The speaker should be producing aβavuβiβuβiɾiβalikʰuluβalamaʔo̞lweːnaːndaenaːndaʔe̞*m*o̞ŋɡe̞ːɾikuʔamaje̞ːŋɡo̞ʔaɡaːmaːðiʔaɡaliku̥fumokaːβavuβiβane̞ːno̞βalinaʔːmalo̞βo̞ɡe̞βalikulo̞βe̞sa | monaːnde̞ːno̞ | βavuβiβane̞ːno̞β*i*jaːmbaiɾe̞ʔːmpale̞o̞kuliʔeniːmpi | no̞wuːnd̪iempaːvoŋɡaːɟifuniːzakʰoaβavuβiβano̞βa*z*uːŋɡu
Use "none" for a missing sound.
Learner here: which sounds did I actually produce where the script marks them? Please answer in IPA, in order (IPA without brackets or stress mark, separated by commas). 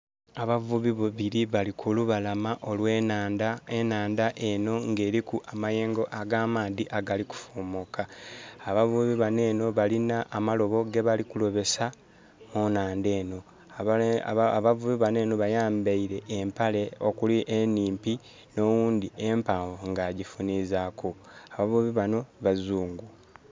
n, a, z